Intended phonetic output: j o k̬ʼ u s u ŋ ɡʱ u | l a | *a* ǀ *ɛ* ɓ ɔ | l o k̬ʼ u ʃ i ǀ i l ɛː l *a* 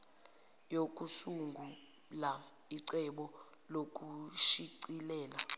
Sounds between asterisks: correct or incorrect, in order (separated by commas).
incorrect, correct, correct